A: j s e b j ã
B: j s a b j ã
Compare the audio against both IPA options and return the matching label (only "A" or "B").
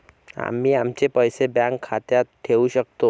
A